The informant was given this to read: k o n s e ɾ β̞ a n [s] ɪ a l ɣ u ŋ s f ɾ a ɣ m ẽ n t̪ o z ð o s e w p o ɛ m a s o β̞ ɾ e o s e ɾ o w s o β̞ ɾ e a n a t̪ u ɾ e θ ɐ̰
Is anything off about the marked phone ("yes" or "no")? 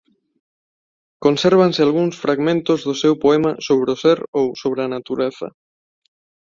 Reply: no